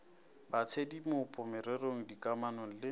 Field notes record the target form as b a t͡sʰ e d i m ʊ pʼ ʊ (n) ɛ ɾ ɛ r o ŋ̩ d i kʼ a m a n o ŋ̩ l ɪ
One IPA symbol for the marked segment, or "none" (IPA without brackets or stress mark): m